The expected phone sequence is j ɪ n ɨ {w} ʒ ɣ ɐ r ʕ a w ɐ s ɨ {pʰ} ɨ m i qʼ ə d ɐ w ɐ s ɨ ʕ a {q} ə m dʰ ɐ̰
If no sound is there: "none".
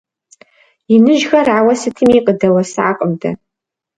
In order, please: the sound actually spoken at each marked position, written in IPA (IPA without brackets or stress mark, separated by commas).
none, tʰ, qʼ